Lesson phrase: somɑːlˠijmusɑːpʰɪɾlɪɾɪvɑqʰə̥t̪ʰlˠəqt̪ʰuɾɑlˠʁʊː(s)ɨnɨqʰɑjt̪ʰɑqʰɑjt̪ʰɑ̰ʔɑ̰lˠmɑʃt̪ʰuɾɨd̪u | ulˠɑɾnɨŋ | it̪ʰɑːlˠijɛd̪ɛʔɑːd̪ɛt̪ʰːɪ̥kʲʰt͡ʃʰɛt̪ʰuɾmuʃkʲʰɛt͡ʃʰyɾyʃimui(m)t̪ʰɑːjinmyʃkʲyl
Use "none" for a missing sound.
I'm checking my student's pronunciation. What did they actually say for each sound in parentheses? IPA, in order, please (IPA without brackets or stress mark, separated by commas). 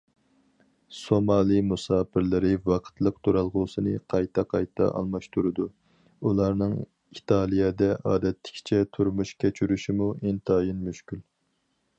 s, n